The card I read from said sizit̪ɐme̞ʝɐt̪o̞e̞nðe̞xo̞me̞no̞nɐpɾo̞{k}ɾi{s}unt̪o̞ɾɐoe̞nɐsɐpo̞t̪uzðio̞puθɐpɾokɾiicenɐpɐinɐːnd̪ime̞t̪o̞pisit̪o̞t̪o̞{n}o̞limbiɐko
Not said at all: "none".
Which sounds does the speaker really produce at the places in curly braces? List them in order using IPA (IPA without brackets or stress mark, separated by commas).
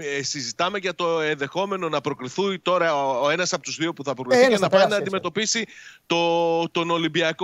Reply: k, θ, n